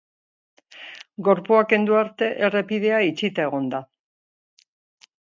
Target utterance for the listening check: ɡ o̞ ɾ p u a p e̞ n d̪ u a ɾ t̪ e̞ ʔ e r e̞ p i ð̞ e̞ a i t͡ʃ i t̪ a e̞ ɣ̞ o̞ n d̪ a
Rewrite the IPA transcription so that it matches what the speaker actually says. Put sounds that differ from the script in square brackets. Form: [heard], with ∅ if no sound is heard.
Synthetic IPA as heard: ɡ o̞ ɾ p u a [k] e̞ n d̪ u a ɾ t̪ e̞ ʔ e r e̞ p i ð̞ e̞ a i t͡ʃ i t̪ a e̞ ɣ̞ o̞ n d̪ a